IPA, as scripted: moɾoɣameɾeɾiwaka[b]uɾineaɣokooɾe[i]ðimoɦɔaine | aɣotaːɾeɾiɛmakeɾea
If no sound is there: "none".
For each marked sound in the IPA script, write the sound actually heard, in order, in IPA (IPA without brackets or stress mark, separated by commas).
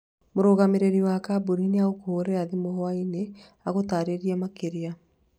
b, a